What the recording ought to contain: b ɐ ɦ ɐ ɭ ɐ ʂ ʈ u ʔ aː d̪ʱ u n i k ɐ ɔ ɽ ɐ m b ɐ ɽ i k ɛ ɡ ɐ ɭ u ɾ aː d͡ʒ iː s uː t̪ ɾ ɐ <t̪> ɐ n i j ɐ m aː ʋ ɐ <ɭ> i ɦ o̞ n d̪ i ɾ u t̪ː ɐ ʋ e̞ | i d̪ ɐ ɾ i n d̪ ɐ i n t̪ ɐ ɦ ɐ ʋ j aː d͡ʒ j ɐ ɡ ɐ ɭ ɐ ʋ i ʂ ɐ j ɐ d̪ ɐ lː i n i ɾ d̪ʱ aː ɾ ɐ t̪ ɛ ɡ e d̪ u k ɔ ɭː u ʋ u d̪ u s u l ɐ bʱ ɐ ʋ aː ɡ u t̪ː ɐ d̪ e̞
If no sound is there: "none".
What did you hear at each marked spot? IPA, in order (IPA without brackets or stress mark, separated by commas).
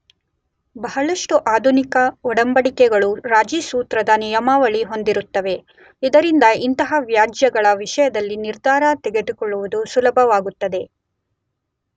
d̪, ɭ